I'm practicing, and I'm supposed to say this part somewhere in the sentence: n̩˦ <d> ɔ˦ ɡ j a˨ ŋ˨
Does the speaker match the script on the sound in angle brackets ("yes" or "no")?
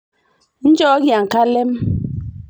no